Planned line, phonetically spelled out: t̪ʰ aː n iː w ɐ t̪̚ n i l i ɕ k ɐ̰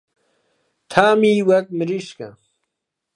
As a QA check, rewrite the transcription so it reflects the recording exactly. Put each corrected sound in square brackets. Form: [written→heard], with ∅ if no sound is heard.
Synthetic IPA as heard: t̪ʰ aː [n→m] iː w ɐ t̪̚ [n→m] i [l→ɾ] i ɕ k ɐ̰